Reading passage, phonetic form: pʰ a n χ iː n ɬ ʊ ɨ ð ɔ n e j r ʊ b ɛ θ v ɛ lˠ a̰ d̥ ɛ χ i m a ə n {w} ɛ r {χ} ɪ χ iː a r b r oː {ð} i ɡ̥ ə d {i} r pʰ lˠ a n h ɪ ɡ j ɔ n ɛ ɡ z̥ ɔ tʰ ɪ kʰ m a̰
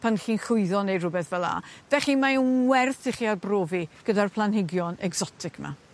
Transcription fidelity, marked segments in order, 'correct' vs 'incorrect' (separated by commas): correct, incorrect, incorrect, incorrect